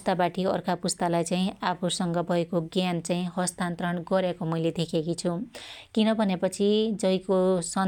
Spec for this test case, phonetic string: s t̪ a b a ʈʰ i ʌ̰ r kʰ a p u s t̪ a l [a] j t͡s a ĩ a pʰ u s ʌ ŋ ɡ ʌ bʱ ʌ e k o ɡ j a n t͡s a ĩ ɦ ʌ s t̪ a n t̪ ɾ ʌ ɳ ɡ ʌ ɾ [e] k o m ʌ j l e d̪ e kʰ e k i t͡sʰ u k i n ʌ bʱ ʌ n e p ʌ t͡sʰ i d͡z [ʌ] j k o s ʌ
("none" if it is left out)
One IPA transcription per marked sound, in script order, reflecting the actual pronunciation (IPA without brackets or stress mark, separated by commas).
a, e, ʌ